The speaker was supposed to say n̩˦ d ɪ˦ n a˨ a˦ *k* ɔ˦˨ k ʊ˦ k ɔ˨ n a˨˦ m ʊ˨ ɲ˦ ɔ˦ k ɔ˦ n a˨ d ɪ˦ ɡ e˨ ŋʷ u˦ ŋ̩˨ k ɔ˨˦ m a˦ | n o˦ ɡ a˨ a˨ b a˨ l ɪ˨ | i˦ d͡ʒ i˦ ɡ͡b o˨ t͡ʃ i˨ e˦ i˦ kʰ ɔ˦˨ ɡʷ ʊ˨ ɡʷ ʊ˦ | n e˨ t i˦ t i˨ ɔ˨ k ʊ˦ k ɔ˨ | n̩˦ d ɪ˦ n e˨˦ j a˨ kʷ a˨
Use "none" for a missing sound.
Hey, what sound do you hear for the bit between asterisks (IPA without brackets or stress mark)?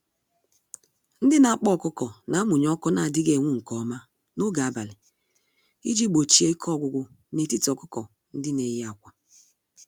k͡p